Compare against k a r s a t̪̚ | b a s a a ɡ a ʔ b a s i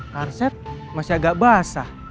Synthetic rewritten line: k a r s ɛ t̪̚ | m a s i a ɡ a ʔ b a s a